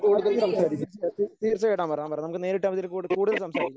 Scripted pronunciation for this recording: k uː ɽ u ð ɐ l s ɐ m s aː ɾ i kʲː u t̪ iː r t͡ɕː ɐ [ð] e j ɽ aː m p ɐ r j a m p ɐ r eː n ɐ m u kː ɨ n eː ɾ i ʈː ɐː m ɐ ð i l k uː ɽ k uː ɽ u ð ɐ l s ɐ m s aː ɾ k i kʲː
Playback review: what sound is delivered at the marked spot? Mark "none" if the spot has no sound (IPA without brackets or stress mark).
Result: none